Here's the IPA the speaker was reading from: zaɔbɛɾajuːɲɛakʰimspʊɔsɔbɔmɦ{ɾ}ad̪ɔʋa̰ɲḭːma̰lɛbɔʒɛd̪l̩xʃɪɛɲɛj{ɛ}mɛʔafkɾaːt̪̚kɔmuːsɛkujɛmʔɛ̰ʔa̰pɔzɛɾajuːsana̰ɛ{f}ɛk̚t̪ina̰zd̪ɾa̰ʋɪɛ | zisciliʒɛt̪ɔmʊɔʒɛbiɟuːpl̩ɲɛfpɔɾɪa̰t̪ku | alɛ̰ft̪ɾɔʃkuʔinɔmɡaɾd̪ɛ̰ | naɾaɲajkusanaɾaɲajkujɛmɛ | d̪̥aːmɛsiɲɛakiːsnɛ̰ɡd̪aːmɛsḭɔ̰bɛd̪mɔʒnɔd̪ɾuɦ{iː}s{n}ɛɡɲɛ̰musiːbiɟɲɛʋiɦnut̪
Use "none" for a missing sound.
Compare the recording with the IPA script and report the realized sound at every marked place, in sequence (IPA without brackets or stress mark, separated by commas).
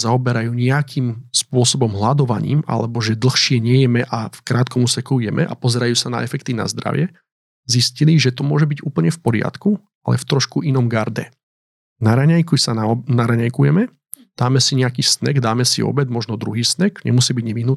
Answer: l, ɛ, f, iː, n